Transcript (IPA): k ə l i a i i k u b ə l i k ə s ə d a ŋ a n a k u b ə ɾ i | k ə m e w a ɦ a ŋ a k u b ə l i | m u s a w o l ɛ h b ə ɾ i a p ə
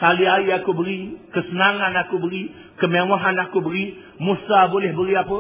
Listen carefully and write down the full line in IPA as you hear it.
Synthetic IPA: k a l i a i a k u b ə ɾ i k ə s ə n a ŋ a n a k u b ə ɾ i | k ə m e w a ɦ a n a k u b ə ɾ i | m u s a b o l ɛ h b ə ɾ i a p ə